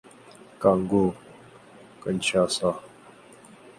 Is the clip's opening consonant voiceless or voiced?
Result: voiceless